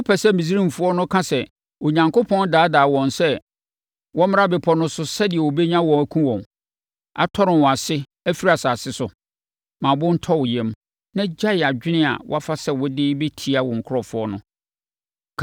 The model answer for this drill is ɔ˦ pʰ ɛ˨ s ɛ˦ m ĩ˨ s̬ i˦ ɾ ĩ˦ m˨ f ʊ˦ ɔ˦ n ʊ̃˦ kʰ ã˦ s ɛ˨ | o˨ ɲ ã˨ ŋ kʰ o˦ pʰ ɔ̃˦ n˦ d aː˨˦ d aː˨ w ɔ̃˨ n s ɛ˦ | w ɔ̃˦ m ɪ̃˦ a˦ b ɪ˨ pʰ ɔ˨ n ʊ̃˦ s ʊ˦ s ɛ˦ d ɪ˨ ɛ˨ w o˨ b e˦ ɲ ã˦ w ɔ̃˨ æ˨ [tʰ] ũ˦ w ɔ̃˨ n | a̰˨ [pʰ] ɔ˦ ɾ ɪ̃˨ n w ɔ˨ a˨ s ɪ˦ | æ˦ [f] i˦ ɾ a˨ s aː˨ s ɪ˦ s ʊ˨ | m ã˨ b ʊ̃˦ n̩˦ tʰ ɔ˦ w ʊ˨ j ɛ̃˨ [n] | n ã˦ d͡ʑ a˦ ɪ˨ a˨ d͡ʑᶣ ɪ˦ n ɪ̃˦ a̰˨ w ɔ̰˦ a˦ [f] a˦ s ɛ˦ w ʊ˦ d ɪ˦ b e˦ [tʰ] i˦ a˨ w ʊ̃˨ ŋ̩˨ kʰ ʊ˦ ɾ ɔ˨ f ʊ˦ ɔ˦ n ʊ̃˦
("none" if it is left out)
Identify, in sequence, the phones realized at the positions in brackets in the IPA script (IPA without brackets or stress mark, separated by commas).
kʰ, tʰ, f, m, f, tʰ